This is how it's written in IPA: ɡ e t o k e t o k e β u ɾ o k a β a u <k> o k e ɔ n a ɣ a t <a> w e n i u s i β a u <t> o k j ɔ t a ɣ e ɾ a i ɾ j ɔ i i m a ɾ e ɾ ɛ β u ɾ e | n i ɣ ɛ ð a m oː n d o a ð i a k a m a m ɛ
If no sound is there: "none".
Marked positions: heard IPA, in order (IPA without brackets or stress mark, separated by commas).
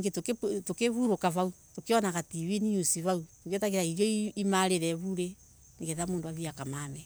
t, i, t